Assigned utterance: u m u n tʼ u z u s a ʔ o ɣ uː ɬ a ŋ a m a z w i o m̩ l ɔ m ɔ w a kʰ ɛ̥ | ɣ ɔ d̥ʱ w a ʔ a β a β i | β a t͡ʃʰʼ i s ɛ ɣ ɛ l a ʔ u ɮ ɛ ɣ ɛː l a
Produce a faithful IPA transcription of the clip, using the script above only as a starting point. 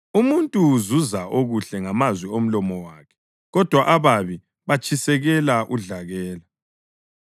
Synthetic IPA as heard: u m u n tʼ u z u z a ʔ o ɣ u ɬ ɛ ŋ a m a z w i o m̩ l ɔ m ɔ w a kʰ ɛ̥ | ɣ ɔ d̥ʱ w a ʔ a β a β i | β a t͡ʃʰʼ i s ɛ ɣ ɛ l a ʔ u ɮ a ɣ ɛː l a